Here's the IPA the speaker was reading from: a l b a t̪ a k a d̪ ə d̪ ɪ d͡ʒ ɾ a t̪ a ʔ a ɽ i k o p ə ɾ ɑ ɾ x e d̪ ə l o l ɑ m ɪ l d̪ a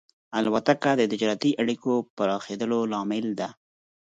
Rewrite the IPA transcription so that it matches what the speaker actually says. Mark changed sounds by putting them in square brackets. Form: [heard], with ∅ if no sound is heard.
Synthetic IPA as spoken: a l [w] a t̪ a k a d̪ ə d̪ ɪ d͡ʒ ɾ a t̪ [i] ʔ a ɽ i k o p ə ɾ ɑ [∅] x e d̪ ə l o l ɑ m ɪ l d̪ a